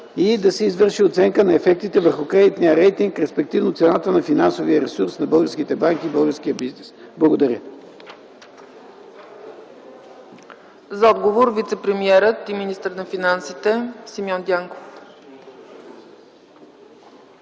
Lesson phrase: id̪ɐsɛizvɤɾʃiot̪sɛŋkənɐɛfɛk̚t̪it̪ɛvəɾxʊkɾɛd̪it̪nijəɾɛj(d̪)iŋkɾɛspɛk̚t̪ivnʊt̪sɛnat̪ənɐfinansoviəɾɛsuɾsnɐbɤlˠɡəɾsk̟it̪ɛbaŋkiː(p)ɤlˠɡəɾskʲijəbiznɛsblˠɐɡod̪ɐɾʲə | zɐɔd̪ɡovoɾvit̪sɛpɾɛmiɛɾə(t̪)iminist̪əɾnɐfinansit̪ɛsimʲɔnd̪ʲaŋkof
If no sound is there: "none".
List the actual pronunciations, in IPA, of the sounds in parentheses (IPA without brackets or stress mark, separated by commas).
t̪, b, t̪